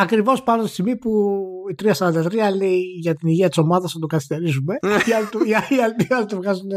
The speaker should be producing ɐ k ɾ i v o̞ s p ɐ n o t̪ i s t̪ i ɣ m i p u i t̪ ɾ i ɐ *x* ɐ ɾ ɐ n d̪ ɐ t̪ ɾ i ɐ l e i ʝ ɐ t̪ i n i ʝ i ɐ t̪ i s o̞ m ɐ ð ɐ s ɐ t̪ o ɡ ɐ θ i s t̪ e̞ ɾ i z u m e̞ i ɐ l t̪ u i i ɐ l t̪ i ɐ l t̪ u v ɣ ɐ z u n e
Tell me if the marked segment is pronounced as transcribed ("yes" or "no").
no